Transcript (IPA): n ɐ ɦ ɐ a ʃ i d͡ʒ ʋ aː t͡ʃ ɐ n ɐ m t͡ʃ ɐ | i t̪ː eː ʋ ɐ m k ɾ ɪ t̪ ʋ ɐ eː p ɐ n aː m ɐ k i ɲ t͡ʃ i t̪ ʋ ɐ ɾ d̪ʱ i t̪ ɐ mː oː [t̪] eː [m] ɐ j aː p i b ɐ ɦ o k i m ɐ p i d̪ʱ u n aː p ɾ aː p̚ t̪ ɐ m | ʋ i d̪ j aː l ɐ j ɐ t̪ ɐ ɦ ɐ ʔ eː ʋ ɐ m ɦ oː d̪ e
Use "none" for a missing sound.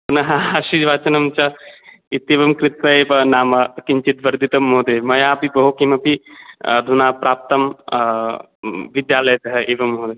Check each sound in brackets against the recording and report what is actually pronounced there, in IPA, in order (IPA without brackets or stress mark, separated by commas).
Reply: d̪, m